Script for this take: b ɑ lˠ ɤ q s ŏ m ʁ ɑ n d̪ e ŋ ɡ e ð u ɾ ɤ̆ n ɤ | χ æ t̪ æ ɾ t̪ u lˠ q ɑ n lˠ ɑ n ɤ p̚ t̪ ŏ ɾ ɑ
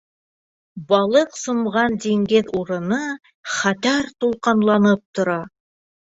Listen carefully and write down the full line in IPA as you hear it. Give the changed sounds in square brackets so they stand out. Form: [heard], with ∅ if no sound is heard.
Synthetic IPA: b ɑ lˠ ɤ q s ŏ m ʁ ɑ n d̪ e ŋ ɡ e ð u ɾ ɤ̆ n ɤ | χ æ t̪ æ ɾ t̪ u lˠ q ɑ n lˠ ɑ n ɤ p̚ t̪ ŏ ɾ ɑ